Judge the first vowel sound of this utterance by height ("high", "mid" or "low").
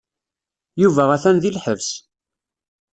high